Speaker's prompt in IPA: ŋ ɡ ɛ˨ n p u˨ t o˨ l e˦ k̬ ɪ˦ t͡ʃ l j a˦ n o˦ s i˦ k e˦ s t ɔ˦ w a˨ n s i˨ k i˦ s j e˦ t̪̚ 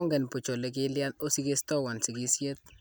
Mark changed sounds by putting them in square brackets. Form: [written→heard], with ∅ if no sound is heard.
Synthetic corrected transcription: ŋ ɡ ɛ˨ n p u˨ [t→t͡ʃ] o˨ l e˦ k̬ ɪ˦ [t͡ʃ→∅] l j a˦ n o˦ s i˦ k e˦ s t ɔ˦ w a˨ n s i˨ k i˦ s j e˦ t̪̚